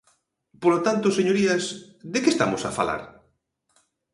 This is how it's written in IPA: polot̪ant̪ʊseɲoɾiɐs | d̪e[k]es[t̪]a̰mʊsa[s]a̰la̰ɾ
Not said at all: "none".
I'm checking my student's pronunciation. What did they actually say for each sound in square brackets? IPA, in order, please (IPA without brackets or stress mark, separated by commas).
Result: k, t̪, f